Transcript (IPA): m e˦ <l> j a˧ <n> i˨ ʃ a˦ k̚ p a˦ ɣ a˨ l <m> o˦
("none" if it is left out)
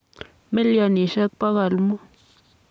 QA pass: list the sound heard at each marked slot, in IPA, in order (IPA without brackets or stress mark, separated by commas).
l, n, m